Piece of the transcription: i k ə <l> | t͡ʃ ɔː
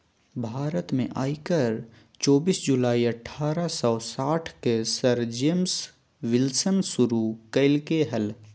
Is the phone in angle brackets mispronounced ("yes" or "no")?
yes